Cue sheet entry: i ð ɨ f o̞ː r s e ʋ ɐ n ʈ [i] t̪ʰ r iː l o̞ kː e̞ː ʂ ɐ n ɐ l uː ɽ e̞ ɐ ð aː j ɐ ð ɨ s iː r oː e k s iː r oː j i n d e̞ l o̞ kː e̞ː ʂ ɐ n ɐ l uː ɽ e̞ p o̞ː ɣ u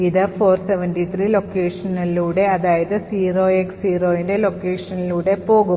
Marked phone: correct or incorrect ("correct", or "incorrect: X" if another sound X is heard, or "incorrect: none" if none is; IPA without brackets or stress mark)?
correct